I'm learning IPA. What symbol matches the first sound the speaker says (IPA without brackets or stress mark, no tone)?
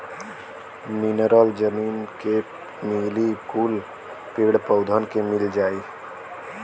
m